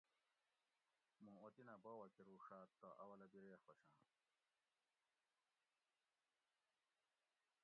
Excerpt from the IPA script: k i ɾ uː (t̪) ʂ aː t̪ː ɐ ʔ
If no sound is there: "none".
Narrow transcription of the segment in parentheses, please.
none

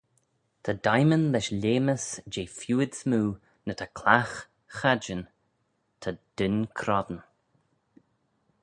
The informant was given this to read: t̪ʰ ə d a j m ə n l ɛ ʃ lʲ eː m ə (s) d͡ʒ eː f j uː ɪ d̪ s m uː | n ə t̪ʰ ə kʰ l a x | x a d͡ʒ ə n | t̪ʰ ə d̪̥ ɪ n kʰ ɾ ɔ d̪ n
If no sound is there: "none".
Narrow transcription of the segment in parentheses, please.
s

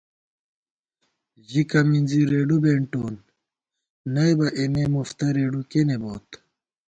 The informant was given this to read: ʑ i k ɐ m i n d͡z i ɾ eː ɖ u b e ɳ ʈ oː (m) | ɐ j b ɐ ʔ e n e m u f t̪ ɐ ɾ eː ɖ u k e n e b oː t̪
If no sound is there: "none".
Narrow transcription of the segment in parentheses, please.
n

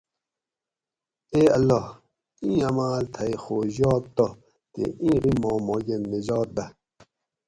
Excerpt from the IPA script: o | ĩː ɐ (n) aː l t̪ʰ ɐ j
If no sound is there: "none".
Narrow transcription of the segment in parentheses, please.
m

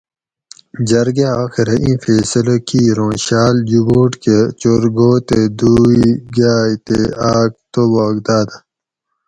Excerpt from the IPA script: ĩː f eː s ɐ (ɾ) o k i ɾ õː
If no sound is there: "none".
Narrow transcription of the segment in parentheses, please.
l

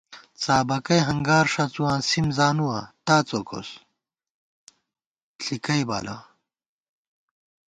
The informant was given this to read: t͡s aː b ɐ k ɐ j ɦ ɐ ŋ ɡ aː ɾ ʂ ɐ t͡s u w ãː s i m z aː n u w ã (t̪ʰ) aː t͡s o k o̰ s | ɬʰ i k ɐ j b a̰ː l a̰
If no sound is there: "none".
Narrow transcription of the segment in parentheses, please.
t̪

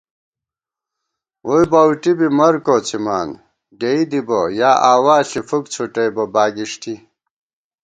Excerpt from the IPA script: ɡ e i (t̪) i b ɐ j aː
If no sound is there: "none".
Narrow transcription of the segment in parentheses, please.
d̪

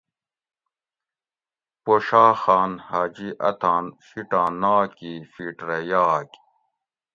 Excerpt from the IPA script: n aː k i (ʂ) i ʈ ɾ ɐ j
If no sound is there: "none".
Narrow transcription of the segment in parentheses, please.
f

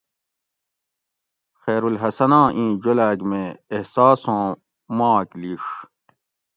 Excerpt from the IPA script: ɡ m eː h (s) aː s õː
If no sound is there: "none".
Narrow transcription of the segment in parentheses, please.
s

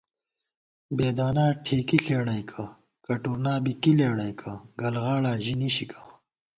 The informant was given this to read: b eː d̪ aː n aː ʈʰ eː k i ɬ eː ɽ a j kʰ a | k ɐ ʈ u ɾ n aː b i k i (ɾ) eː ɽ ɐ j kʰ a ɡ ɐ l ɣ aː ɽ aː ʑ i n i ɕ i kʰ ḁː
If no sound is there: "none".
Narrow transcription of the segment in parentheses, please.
l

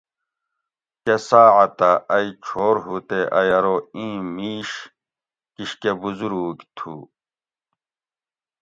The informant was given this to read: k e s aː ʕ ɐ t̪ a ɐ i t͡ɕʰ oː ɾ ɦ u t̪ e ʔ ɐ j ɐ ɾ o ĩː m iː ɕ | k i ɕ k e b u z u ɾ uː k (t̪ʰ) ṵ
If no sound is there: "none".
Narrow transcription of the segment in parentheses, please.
t̪ʰ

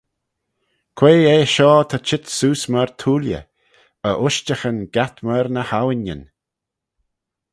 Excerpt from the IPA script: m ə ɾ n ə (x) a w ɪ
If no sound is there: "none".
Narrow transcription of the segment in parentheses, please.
h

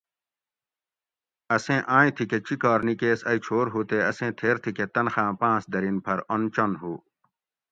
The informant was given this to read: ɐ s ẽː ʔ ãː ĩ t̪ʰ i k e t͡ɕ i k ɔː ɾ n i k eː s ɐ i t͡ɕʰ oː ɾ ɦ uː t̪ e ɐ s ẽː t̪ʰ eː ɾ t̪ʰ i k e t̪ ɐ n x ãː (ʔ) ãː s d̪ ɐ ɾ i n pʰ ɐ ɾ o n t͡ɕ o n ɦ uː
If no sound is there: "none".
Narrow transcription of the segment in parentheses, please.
p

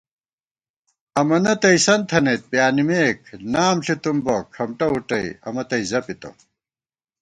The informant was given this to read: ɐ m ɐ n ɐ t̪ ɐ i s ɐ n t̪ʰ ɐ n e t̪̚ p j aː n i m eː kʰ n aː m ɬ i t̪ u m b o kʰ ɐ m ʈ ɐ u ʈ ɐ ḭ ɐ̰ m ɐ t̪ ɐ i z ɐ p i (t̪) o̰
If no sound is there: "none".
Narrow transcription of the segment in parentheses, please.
t̪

